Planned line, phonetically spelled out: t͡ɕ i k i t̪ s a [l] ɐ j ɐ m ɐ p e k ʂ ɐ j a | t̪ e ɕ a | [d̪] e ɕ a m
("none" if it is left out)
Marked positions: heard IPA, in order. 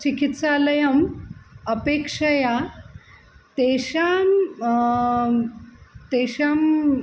l, t̪

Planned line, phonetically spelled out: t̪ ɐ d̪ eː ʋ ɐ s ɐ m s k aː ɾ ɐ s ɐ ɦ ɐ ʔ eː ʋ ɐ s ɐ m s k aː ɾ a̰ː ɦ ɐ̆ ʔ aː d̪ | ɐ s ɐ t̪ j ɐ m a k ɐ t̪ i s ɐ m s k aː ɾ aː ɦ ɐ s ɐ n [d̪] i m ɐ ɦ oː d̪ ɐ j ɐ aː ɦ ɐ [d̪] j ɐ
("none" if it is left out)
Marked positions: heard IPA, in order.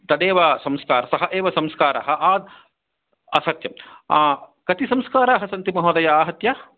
t̪, t̪

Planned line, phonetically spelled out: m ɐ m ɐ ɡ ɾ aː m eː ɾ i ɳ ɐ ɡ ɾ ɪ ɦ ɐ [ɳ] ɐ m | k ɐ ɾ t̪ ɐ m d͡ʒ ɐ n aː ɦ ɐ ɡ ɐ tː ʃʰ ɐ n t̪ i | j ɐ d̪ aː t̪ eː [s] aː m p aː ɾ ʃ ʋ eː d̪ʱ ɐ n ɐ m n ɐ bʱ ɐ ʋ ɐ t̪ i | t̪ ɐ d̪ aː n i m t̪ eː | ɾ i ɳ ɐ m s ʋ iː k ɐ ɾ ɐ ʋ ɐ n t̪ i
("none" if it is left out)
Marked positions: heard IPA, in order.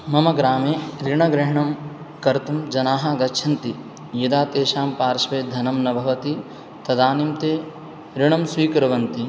ɳ, ʃ

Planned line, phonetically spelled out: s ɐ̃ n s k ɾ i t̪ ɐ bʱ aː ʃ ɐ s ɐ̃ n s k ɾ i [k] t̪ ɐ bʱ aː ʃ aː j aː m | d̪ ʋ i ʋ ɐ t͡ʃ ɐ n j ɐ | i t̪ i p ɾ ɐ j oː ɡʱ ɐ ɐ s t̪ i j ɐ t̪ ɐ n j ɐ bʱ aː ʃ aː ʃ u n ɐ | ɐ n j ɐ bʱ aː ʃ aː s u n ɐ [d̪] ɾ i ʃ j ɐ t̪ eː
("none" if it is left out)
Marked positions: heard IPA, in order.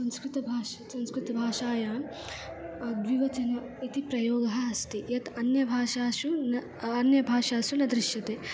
none, d̪

